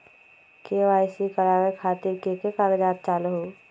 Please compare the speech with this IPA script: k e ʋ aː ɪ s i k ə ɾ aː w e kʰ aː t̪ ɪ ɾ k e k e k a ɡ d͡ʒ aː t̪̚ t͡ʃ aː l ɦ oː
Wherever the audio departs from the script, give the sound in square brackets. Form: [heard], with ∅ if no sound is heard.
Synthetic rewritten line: k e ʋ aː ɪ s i k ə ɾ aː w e kʰ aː t̪ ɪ ɾ k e k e k a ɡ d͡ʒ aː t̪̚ t͡ʃ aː l ɦ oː